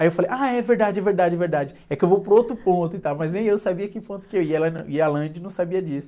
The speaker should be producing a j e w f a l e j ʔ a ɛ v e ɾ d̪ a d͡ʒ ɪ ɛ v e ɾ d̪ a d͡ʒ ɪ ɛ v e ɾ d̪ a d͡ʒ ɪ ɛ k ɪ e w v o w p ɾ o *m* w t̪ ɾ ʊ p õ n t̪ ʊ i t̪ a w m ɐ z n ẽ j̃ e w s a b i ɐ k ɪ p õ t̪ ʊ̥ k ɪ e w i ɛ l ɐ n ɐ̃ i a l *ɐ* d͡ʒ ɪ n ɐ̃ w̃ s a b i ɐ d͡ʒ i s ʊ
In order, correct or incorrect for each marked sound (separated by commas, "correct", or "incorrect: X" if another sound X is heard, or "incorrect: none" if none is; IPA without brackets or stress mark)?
incorrect: none, incorrect: ɐ̃